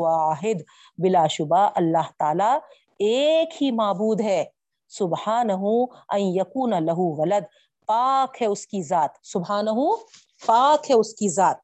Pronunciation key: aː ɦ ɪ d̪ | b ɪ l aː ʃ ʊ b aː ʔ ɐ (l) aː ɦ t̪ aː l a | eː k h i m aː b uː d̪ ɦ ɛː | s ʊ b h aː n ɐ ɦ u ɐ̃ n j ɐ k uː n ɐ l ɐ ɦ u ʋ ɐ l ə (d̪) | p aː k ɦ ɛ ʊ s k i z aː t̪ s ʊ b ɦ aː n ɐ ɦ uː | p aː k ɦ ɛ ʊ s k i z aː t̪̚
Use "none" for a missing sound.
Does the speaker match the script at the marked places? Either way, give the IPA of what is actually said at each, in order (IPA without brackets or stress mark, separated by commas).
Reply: lː, d̪